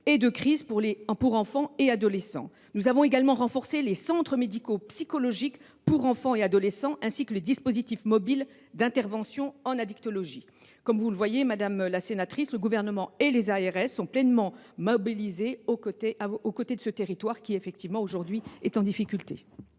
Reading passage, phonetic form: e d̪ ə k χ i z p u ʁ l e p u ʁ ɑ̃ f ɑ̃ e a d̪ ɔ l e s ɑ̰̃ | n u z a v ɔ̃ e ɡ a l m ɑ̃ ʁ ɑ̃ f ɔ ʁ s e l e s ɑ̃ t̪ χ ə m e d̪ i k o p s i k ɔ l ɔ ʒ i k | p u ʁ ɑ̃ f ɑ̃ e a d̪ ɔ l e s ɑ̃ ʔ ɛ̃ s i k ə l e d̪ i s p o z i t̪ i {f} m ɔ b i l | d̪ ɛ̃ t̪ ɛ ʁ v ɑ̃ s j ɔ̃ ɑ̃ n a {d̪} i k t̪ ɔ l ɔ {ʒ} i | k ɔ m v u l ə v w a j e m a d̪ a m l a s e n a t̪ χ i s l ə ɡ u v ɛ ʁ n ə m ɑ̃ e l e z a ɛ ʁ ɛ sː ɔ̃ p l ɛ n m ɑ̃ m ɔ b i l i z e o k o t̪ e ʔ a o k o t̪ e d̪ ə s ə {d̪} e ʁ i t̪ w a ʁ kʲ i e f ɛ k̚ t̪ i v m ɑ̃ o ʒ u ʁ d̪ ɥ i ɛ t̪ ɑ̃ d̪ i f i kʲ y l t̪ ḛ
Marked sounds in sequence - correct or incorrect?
correct, correct, correct, incorrect: t̪

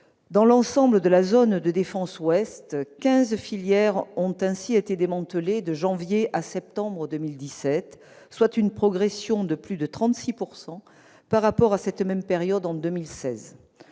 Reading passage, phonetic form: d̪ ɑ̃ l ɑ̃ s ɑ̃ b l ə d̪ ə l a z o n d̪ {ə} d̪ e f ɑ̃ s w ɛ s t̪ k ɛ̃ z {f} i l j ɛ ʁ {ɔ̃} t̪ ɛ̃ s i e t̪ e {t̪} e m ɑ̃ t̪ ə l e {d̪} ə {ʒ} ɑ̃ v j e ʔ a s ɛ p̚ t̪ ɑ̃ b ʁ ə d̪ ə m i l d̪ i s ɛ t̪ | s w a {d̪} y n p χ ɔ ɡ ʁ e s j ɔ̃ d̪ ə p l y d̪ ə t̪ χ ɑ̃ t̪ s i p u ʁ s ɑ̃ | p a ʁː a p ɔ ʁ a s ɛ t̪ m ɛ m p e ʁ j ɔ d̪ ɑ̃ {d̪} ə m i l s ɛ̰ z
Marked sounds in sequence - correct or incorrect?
correct, correct, correct, incorrect: d̪, correct, correct, incorrect: t̪, correct

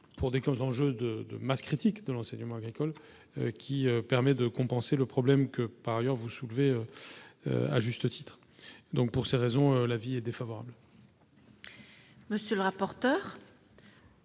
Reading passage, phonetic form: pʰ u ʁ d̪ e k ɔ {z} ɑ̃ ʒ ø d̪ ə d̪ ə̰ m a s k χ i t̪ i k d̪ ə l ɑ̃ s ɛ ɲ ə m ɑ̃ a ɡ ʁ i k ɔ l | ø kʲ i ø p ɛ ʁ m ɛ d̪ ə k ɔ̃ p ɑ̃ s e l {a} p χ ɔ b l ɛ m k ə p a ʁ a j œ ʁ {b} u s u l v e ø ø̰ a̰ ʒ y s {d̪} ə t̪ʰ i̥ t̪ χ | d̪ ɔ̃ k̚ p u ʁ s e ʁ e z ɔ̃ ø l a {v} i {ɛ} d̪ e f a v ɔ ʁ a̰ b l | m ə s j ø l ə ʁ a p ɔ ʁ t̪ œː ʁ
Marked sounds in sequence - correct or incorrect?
correct, incorrect: ə, incorrect: v, incorrect: t̪, correct, correct

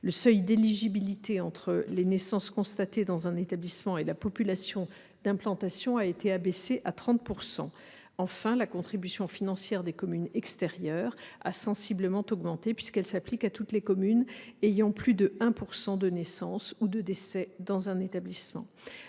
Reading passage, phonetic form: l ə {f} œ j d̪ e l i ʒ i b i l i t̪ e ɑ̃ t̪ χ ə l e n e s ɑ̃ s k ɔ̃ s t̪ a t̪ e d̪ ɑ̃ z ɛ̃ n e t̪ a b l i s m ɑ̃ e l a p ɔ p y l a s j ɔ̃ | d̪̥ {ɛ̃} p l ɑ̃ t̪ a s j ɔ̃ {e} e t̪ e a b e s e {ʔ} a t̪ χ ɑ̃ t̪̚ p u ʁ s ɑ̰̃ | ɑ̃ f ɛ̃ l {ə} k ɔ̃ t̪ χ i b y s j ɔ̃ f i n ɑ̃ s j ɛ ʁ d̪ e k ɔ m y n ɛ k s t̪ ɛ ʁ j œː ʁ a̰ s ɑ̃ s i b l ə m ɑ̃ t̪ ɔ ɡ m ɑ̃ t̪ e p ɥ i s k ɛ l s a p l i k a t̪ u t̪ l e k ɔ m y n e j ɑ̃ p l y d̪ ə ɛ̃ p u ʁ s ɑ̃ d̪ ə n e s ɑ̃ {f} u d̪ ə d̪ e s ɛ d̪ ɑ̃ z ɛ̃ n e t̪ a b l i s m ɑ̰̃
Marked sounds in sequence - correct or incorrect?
incorrect: s, correct, incorrect: a, correct, incorrect: a, incorrect: s

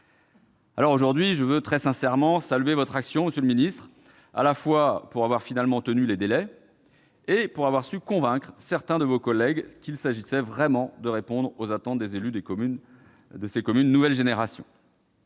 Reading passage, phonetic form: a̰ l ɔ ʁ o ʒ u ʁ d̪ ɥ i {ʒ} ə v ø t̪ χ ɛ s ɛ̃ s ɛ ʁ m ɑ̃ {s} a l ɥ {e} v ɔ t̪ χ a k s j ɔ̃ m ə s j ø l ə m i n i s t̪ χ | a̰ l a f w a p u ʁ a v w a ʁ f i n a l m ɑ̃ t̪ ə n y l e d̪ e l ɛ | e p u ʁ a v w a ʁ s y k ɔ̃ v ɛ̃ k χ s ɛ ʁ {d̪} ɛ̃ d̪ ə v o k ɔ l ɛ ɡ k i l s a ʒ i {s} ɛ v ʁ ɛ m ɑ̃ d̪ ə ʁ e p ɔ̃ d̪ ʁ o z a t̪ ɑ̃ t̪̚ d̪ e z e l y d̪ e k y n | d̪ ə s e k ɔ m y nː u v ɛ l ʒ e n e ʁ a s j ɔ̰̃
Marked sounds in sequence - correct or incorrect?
correct, correct, correct, incorrect: t̪, correct

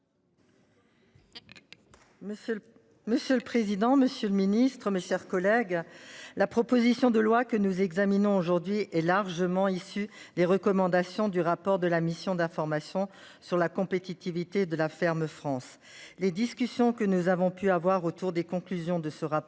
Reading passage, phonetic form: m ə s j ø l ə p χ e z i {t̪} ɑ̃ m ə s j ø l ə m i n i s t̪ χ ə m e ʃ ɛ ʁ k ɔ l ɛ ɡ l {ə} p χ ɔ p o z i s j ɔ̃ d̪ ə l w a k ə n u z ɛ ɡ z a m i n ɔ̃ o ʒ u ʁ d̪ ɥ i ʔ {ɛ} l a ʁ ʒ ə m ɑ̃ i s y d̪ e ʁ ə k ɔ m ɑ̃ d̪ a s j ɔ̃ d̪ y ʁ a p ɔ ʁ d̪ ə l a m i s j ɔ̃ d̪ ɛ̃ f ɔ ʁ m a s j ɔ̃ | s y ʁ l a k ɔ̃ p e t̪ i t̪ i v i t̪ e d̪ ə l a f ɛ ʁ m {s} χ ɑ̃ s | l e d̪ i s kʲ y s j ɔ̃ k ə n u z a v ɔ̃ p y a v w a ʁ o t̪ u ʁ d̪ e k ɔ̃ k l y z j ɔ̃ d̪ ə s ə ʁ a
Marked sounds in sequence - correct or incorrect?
incorrect: d̪, incorrect: a, correct, incorrect: f

